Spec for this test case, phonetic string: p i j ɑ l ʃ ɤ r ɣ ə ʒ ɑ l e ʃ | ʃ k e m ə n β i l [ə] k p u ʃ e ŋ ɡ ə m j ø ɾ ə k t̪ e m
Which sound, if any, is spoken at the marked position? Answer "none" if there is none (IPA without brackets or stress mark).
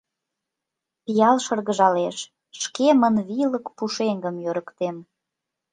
ə